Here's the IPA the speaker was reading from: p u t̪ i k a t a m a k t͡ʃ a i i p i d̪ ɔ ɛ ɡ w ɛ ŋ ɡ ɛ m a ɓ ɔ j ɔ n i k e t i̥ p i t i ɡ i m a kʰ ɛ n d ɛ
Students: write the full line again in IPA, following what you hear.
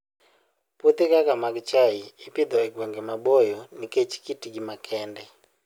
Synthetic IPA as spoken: p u t̪ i k a k a m a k t͡ʃ a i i p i d̪ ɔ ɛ ɡ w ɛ ŋ ɡ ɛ m a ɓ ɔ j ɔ n i k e t͡ʃ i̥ k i t i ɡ i m a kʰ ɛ n d ɛ